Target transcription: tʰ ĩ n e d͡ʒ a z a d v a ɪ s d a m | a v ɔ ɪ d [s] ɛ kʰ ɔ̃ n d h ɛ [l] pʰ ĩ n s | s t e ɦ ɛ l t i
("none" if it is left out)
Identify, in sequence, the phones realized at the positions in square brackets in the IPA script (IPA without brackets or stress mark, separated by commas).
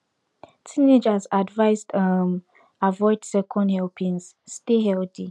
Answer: s, l